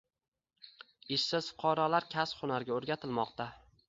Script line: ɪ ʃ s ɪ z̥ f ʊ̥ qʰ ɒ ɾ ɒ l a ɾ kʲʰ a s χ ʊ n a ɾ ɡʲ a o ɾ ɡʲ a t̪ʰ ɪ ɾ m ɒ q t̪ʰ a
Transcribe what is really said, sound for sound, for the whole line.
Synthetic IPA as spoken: ɪ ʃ s ɪ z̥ f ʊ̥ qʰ ɒ ɾ ɒ l a ɾ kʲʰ a s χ ʊ n a ɾ ɡʲ a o ɾ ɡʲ a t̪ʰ ɪ l m ɒ q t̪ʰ a